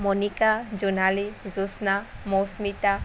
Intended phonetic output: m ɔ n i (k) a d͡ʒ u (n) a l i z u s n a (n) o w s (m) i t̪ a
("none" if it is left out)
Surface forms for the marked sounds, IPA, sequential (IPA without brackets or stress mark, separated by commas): k, n, m, m